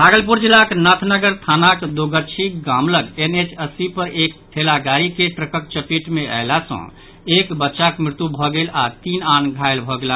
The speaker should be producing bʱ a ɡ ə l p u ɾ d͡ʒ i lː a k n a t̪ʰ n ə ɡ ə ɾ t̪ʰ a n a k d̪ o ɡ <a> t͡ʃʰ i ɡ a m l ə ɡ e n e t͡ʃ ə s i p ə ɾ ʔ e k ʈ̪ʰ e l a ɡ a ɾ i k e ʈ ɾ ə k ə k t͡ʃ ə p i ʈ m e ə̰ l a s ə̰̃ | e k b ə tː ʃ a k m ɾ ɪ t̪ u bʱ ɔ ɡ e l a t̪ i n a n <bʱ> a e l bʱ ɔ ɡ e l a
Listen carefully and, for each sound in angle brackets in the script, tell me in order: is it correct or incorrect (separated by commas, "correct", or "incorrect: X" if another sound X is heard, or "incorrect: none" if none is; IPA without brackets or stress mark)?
incorrect: ə, incorrect: ɡʱ